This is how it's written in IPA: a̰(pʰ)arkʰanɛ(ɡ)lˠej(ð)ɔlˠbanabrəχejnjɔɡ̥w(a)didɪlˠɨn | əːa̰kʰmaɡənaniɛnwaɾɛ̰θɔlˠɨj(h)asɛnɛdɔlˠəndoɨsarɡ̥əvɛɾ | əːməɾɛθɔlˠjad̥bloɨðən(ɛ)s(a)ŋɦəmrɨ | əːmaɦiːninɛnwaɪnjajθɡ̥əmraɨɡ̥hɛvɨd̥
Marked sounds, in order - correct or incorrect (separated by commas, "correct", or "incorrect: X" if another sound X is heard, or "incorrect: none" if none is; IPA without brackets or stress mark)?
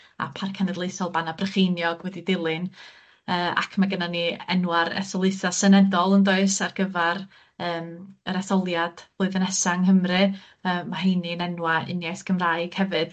correct, incorrect: d, incorrect: θ, incorrect: ɛ, incorrect: θ, correct, correct